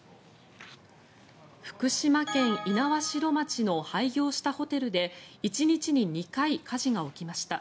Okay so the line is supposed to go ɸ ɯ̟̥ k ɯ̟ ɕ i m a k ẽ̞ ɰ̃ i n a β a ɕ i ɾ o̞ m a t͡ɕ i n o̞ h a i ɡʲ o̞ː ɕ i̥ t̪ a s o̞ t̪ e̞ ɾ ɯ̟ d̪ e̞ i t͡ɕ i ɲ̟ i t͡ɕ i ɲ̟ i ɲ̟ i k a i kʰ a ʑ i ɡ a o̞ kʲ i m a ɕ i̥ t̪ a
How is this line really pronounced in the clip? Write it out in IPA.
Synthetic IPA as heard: ɸ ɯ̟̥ k ɯ̟ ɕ i m a k ẽ̞ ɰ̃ i n a β a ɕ i ɾ o̞ m a t͡ɕ i n o̞ h a i ɡʲ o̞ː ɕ i̥ t̪ a h o̞ t̪ e̞ ɾ ɯ̟ d̪ e̞ i t͡ɕ i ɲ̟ i t͡ɕ i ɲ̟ i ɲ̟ i k a i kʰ a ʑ i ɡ a o̞ kʲ i m a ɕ i̥ t̪ a